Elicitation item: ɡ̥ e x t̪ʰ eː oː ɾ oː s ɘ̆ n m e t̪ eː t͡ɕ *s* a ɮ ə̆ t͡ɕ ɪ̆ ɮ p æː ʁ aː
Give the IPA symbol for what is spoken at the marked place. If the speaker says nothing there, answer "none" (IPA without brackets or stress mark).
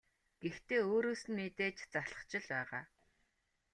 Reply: t͡s